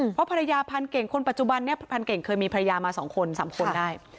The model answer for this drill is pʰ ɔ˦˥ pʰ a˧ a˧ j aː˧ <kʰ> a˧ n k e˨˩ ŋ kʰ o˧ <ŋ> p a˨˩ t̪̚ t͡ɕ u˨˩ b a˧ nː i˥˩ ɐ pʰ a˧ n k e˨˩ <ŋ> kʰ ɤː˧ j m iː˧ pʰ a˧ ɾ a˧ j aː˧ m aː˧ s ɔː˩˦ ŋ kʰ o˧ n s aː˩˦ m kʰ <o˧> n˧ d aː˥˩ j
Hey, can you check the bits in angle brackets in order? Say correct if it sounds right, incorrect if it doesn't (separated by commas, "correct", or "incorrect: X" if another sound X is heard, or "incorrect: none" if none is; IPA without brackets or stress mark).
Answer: incorrect: pʰ, incorrect: n, correct, correct